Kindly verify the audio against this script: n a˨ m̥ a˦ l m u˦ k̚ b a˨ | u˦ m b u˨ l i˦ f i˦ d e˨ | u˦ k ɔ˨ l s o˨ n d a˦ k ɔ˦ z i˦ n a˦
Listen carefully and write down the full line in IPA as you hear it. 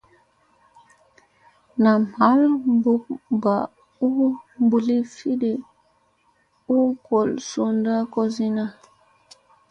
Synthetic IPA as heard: n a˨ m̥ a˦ l b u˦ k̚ b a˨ | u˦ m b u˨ l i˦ f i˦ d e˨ | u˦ k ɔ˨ l s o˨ n d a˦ k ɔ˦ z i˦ n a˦

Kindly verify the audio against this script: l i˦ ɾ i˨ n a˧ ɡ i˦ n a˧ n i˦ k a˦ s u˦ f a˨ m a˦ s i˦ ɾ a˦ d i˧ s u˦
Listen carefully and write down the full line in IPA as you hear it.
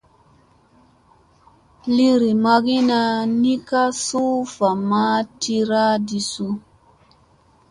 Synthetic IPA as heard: l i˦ ɾ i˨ m a˧ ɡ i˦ n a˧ n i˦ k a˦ s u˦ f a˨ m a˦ t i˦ ɾ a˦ d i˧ s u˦

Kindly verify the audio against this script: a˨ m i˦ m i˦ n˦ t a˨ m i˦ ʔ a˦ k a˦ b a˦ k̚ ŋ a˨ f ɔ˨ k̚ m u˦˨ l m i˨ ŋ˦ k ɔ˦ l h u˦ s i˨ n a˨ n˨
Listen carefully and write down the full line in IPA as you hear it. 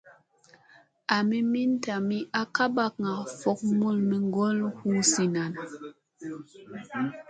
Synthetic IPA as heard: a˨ m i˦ m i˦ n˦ t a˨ m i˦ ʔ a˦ k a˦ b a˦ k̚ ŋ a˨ f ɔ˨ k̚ m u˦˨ l m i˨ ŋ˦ ɡ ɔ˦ l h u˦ s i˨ n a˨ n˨

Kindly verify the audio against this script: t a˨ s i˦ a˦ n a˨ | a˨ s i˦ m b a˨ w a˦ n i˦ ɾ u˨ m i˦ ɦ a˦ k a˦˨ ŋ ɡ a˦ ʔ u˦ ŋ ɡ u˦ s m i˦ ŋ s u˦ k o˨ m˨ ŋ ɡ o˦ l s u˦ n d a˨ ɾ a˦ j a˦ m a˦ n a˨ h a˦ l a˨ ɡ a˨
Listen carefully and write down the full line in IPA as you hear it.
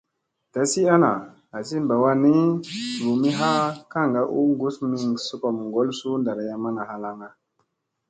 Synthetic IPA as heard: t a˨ s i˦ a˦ n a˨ | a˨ s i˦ m b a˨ w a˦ n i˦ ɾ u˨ m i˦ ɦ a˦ k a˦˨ ŋ ɡ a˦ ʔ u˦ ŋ ɡ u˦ s m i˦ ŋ s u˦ k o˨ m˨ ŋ ɡ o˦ l s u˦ n d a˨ ɾ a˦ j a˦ m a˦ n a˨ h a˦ l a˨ ŋ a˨

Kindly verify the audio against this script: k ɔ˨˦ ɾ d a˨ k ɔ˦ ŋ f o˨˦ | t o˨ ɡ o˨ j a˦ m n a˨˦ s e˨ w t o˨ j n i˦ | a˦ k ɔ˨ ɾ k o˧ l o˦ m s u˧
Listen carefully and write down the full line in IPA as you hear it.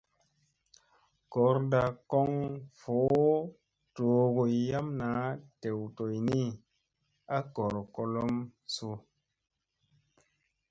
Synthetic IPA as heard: k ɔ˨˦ ɾ d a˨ k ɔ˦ ŋ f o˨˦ | t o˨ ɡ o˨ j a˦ m n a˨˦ t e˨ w t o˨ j n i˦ | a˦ k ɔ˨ ɾ k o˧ l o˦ m s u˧

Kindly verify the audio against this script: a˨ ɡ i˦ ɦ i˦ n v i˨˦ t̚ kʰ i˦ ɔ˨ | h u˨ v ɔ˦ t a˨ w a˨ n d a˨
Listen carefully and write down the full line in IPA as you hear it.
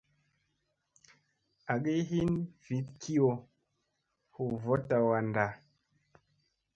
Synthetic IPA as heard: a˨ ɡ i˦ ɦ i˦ n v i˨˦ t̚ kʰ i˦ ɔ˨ | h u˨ v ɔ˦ t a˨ w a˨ n d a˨

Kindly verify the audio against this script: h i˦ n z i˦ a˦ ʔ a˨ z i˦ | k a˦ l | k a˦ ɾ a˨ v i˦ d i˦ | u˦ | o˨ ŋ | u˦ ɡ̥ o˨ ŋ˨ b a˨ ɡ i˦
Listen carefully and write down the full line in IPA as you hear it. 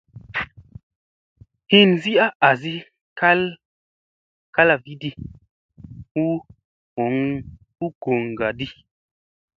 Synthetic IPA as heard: h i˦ n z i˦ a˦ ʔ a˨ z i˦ | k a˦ l | k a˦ l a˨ v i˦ d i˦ | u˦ | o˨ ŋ | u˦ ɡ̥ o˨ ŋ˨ ɡ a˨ d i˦

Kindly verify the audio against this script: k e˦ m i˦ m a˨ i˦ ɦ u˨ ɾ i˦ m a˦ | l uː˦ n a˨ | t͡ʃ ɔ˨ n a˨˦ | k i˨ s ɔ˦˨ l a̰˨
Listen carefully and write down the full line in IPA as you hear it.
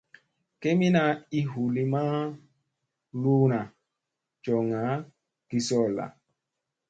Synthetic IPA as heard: k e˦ m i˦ n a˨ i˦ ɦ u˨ l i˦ m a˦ | l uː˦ n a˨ | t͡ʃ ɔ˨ ŋ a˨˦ | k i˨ s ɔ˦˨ l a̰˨

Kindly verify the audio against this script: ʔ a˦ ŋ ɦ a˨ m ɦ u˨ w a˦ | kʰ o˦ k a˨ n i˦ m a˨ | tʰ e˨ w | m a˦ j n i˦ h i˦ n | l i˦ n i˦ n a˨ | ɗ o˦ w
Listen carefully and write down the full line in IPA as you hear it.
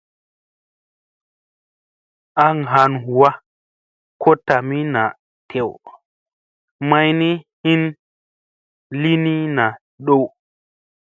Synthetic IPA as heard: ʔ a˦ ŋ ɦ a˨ n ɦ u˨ w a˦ | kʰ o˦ t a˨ m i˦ n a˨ | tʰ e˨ w | m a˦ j n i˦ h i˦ n | l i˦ n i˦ n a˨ | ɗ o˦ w

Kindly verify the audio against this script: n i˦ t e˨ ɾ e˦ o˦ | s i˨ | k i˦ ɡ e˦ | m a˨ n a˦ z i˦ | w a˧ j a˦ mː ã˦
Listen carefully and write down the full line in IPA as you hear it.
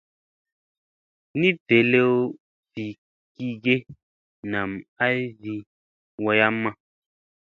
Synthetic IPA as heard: n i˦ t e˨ l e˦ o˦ | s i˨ | k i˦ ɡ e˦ | n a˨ m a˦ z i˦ | w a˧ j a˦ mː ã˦

